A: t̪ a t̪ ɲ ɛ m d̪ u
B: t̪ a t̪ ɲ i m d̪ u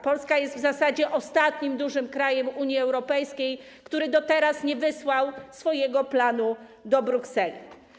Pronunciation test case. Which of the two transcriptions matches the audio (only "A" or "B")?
B